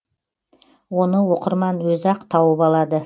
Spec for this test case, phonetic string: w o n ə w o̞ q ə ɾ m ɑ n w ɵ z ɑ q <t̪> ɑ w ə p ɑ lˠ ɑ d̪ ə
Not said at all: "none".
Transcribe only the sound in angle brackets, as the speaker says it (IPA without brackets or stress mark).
t̪ʰ